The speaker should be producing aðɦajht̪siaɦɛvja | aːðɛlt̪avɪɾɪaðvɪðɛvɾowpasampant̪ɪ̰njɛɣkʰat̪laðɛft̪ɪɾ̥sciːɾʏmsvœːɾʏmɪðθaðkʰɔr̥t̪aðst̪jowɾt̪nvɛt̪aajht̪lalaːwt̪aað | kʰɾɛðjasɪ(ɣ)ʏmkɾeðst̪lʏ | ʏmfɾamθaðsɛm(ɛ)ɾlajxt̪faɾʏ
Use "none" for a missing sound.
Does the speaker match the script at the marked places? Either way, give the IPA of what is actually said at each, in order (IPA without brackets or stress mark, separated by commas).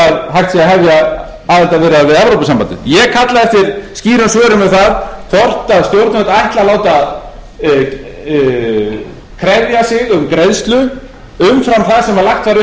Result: ɣ, a